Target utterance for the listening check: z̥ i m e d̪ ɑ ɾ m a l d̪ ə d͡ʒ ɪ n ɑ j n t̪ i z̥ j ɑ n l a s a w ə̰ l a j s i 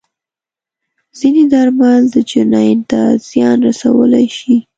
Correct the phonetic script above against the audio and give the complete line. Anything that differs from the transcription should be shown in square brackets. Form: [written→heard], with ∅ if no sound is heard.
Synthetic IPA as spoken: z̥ i [m→n] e d̪ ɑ ɾ m a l d̪ ə d͡ʒ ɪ n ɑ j n t̪ [i→a] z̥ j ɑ n [l→ɾ] a s a w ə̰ l a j [s→ʃ] i